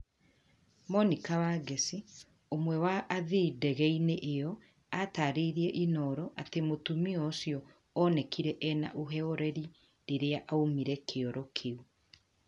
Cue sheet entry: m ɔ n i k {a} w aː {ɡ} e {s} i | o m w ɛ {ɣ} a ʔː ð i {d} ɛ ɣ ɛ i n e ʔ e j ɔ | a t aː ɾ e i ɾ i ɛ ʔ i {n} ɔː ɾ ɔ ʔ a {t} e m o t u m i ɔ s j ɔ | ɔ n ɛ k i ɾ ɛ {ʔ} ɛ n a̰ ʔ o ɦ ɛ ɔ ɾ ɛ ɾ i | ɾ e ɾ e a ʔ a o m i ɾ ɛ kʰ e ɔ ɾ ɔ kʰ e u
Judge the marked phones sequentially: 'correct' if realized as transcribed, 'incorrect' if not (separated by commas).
correct, correct, correct, incorrect, correct, correct, correct, correct